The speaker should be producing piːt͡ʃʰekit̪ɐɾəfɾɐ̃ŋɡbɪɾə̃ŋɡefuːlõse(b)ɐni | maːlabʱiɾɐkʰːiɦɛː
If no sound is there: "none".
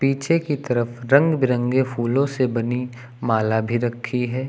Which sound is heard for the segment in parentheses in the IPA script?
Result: b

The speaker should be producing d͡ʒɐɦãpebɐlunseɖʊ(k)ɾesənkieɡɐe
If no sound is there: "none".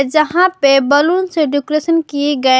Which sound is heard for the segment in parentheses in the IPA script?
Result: k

